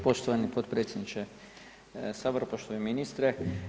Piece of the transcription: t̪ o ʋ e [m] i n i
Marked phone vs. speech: correct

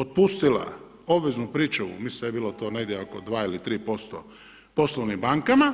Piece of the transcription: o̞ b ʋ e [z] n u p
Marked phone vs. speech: correct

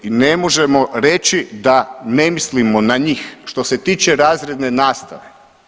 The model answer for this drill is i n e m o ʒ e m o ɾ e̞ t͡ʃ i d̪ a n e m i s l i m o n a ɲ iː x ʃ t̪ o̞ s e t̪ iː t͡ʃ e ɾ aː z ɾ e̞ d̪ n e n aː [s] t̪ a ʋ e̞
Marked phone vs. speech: correct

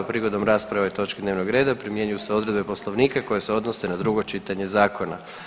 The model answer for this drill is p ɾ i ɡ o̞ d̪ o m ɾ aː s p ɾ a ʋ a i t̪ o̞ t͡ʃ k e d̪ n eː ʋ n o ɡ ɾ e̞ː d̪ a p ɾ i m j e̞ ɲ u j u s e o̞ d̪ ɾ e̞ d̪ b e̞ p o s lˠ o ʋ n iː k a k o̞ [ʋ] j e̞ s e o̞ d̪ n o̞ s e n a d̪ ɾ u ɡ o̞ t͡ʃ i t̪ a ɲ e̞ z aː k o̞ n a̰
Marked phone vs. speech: incorrect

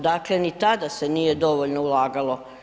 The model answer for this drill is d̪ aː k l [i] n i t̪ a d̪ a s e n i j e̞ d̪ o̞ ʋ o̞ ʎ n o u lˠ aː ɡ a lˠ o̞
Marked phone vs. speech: incorrect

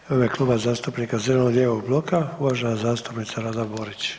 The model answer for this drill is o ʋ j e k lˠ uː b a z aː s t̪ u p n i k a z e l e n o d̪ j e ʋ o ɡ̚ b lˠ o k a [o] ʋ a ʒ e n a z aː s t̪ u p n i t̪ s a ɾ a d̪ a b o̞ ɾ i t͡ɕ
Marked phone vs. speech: incorrect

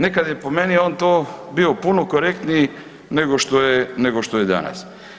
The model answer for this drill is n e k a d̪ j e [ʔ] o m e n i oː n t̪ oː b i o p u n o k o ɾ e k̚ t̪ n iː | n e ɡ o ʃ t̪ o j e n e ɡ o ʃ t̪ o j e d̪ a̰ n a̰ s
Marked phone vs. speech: incorrect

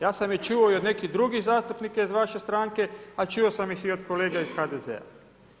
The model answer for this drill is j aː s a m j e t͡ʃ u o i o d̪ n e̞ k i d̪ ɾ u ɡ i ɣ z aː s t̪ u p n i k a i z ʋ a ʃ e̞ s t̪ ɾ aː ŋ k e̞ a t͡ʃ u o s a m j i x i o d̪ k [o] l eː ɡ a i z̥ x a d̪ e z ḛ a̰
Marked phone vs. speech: correct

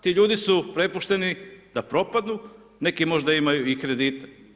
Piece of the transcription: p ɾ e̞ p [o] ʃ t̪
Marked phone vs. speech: incorrect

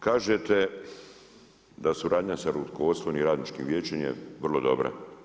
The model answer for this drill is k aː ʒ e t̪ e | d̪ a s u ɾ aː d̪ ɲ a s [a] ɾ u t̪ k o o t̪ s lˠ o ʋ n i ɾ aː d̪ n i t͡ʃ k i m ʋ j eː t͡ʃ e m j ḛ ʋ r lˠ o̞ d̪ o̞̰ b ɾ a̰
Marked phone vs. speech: correct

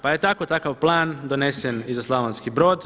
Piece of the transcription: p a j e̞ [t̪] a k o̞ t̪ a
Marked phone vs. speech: correct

